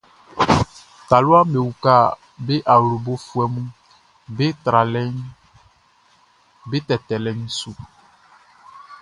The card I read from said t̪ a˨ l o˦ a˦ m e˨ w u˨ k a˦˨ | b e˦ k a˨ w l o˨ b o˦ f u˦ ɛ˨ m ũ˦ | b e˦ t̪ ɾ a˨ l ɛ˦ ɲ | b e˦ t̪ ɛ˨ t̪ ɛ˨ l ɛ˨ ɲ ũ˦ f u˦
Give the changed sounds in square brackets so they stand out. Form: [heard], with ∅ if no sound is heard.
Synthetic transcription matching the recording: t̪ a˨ l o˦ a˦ m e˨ w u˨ k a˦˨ | b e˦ [ʔ] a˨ w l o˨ b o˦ f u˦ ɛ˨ m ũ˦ | b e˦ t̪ ɾ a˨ l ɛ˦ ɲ | b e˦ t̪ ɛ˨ t̪ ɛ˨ l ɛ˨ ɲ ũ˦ [s] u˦